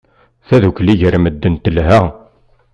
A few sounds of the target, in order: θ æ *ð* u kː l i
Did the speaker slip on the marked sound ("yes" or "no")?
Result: no